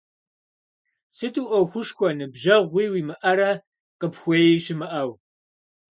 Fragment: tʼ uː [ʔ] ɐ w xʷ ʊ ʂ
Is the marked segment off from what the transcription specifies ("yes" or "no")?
no